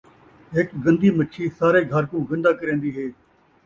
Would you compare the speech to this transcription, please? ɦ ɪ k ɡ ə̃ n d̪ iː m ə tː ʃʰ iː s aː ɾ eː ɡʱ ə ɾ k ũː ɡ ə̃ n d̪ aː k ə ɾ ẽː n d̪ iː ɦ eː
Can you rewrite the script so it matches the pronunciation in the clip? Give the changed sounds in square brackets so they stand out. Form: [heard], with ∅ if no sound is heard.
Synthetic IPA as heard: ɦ ɪ k ɡ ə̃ n d̪ iː m ə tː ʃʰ iː s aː ɾ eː ɡʱ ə ɾ k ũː ɡ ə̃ n d̪ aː k ə ɾ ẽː n d̪ iː ɦ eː